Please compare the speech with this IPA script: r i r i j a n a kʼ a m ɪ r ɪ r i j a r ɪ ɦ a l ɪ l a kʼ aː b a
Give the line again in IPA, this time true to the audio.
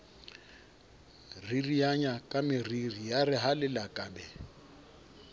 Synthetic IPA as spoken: r i r i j a ɲ a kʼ a m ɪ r i r i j a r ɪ ɦ a l ɪ l a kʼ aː b ɛ

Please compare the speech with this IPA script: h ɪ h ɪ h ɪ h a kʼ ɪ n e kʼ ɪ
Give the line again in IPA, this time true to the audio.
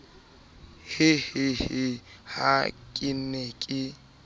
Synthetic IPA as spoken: h ɪ h ɪ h ɪ h a kʼ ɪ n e kʼ ɪ

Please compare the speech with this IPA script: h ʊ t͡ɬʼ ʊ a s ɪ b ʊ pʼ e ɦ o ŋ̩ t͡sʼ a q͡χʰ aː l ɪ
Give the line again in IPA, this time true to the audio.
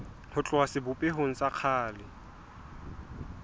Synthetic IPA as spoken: h ʊ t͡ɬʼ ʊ a s ɪ b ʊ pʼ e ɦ o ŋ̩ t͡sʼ a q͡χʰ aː l ɪ

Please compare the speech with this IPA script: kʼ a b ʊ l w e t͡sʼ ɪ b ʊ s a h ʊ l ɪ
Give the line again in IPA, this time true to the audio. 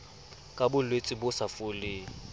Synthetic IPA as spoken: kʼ a b ʊ l w e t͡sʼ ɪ b ʊ s a f ʊ l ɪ

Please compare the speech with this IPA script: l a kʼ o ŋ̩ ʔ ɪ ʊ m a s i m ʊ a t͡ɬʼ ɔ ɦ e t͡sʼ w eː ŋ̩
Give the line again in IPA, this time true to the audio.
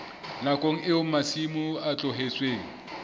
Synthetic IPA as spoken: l a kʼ o ŋ̩ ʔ ɪ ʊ m a s i m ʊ a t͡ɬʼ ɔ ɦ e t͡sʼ w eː ŋ̩

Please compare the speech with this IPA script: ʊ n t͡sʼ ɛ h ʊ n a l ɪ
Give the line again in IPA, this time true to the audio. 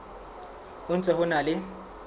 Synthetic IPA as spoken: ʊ n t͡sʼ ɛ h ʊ n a l ɪ

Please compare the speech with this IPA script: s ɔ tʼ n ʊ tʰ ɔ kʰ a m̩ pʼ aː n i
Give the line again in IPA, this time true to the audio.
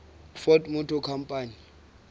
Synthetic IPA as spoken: f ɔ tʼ m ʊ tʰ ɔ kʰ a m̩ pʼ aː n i

